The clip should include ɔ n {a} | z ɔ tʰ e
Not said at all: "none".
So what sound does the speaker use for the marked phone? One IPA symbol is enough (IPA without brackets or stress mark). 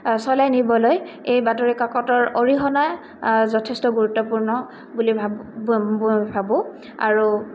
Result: a